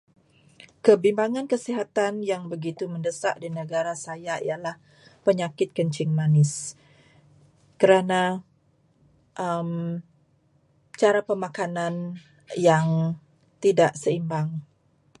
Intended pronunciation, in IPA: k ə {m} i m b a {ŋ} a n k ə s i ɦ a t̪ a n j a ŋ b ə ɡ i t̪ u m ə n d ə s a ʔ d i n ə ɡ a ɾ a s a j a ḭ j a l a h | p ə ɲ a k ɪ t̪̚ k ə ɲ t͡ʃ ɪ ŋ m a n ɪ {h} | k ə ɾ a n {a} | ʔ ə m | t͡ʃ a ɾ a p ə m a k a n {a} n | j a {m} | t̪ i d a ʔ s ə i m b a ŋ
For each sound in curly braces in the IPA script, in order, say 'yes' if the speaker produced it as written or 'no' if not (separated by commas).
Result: no, yes, no, yes, yes, no